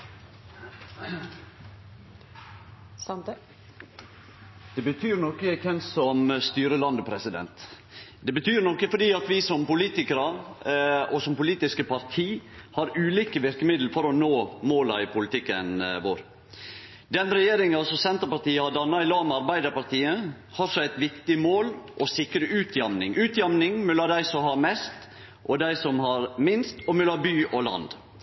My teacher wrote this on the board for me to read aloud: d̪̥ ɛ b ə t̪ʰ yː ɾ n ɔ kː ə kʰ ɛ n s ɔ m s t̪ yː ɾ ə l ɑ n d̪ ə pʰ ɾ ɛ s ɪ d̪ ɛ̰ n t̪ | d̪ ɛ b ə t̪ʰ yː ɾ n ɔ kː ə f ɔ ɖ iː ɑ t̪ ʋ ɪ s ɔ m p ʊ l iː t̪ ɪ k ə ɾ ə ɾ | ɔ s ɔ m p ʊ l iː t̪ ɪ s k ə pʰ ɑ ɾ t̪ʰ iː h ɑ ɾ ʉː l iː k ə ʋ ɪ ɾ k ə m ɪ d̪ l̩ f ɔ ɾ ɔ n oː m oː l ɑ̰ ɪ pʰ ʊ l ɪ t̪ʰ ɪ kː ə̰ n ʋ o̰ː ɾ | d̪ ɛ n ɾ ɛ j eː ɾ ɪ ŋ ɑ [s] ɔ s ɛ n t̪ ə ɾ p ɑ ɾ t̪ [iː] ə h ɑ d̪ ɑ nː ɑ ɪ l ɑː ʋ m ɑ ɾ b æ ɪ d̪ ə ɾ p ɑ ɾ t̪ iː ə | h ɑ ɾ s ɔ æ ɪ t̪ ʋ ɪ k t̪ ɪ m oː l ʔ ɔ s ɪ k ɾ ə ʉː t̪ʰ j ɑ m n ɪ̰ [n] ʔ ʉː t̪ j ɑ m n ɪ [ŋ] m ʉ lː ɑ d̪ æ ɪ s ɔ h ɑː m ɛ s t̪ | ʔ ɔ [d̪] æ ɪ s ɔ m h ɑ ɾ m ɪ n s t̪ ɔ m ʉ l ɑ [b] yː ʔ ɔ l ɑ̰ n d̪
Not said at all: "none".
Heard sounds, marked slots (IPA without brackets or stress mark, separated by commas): s, iː, ŋ, ŋ, d̪, b